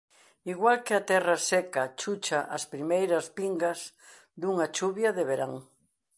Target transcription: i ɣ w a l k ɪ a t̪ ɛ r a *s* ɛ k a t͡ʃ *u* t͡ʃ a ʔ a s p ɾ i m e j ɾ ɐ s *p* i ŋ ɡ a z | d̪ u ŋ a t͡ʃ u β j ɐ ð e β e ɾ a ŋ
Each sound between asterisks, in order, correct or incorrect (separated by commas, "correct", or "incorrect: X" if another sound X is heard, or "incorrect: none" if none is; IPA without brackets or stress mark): correct, correct, correct